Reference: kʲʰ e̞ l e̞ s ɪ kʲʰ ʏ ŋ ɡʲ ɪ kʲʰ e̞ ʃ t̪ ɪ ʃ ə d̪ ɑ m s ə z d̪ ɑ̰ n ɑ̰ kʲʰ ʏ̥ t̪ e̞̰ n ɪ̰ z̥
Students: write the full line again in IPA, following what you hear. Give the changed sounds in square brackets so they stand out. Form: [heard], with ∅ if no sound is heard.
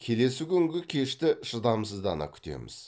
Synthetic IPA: kʲʰ e̞ l e̞ s ɪ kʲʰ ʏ ŋ ɡʲ ɪ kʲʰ e̞ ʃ t̪ ɪ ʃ ə d̪ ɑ m s ə z d̪ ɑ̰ n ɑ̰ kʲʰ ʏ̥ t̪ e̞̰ [m] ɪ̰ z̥